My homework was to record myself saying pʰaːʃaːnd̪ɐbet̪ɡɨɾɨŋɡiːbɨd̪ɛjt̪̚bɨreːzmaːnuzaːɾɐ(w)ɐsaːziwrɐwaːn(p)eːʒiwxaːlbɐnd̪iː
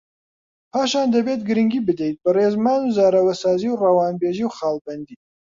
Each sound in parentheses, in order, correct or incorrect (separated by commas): correct, incorrect